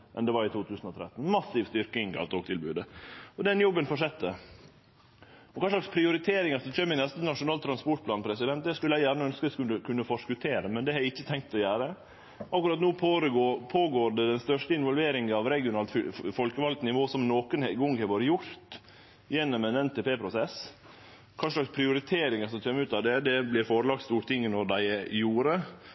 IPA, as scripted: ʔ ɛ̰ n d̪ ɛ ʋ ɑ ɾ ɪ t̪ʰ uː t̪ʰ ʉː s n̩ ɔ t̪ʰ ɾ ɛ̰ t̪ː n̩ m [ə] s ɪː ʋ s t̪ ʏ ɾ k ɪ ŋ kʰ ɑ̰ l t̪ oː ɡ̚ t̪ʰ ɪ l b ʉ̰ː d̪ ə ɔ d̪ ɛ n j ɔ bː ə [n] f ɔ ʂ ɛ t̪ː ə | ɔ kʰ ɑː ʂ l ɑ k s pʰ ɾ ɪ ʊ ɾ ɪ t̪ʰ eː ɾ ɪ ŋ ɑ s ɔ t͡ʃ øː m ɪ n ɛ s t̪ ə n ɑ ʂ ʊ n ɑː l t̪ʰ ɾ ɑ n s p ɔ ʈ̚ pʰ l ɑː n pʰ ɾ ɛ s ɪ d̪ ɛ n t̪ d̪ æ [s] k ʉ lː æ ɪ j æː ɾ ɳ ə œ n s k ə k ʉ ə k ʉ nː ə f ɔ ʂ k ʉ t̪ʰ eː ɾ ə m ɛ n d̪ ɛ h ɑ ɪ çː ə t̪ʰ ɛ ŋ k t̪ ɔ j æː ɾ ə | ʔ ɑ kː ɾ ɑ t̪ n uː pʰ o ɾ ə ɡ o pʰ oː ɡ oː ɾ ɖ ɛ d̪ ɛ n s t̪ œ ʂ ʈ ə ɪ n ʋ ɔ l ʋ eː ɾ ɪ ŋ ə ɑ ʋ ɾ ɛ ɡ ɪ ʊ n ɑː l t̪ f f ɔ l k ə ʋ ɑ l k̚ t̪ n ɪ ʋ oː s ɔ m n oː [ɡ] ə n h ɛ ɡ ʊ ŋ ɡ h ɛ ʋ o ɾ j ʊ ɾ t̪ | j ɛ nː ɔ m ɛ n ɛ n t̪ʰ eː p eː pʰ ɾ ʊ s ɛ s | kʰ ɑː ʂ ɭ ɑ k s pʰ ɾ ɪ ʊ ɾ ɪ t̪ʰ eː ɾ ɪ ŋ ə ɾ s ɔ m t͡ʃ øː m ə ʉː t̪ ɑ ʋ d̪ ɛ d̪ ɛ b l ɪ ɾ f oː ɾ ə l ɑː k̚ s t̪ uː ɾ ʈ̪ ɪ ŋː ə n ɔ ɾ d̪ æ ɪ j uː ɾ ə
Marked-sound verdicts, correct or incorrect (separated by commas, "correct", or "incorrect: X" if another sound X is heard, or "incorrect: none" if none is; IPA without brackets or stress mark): incorrect: ɑ, correct, correct, incorrect: k